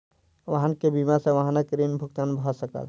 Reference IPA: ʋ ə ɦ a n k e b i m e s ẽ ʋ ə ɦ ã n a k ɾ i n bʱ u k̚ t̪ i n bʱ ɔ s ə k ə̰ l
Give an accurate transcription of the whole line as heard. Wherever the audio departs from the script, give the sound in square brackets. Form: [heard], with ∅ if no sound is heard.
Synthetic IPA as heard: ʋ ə ɦ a n k e b i m [a] s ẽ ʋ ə ɦ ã n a k ɾ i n bʱ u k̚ t̪ [a] n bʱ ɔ s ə k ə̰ l